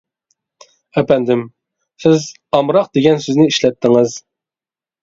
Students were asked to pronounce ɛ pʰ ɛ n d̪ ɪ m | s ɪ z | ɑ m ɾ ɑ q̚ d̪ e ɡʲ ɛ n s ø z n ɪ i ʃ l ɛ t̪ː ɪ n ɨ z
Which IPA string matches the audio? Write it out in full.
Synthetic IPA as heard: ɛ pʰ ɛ n d̪ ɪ m | s ɪ z | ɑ m ɾ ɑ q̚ d̪ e ɡʲ ɛ n s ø z n ɪ i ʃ l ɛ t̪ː ɪ ŋ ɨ z

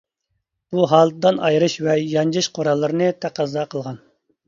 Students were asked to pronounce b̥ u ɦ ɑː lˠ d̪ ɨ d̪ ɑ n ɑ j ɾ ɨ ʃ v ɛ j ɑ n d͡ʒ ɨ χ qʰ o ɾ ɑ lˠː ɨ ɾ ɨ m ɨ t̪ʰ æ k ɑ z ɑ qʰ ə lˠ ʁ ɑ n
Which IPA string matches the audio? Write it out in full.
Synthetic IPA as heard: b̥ u ɦ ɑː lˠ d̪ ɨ d̪ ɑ n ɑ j ɾ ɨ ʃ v ɛ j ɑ n d͡ʒ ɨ ʃ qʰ o ɾ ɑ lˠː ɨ ɾ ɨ n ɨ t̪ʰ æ q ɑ z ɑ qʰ ə lˠ ʁ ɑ n

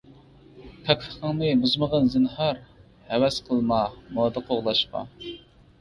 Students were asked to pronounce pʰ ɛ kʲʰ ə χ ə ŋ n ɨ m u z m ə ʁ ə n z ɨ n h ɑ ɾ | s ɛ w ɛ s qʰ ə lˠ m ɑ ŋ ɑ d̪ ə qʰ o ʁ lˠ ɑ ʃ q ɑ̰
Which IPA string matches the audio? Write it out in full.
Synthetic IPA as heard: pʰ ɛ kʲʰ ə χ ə ŋ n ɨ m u z m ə ʁ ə n z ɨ n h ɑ ɾ | h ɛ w ɛ s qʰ ə lˠ m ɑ m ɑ d̪ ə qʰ o ʁ lˠ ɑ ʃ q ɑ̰

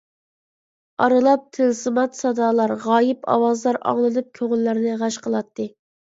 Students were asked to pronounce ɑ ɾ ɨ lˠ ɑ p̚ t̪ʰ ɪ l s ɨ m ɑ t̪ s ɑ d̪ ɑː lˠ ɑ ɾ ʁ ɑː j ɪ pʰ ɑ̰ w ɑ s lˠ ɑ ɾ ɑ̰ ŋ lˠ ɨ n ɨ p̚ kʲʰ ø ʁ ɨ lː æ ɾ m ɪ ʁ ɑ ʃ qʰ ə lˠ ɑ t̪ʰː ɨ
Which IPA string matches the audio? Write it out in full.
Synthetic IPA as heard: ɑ ɾ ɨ lˠ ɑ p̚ t̪ʰ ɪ l s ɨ m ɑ t̪ s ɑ d̪ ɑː lˠ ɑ ɾ ʁ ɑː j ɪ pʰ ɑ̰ w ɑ z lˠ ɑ ɾ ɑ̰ ŋ lˠ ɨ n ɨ p̚ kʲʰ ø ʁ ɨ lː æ ɾ n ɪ ʁ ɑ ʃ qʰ ə lˠ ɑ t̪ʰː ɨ

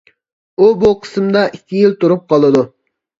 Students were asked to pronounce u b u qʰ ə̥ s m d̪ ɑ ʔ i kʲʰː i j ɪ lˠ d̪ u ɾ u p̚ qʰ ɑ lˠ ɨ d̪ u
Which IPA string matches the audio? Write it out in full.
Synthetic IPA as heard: u b u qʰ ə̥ s m d̪ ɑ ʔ i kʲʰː i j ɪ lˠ t̪ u ɾ u p̚ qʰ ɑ lˠ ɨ d̪ u

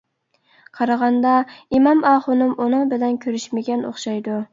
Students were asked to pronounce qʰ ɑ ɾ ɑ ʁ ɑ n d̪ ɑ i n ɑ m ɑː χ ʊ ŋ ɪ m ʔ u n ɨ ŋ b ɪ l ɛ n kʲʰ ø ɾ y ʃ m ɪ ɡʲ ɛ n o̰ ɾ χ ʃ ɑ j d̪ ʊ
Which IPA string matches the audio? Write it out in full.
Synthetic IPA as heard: qʰ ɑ ɾ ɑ ʁ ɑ n d̪ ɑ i m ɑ m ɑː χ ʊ n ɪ m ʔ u n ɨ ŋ b ɪ l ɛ n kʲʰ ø ɾ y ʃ m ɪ ɡʲ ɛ n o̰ χ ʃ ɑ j d̪ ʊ

